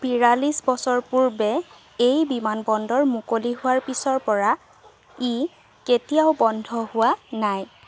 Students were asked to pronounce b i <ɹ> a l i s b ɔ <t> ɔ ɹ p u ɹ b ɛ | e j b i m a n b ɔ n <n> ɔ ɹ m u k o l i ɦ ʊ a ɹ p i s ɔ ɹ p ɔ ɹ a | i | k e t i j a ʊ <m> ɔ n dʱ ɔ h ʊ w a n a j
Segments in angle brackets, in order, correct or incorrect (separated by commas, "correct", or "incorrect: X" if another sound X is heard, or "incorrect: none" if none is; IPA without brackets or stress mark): correct, incorrect: s, incorrect: d, incorrect: b